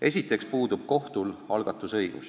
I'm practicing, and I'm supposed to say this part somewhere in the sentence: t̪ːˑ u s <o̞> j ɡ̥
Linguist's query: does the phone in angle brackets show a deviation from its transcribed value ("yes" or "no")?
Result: yes